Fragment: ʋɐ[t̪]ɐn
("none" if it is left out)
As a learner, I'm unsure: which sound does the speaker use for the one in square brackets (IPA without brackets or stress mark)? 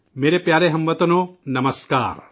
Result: t̪